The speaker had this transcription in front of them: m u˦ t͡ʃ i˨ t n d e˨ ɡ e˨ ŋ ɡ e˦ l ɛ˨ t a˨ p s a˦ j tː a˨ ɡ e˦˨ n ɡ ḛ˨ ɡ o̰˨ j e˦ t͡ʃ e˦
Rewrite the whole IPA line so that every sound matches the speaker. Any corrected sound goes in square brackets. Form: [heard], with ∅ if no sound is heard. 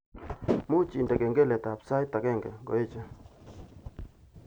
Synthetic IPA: m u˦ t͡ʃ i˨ [∅] n d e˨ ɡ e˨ ŋ ɡ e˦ l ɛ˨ t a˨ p s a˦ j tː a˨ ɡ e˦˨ [ŋ] ɡ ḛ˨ ɡ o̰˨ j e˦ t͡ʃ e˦